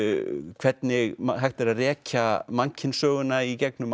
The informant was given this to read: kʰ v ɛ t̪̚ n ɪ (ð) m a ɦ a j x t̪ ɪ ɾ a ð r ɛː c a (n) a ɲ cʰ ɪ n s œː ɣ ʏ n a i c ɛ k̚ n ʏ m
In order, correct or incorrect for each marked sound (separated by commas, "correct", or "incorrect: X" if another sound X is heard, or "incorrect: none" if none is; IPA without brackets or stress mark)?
incorrect: ɣ, incorrect: m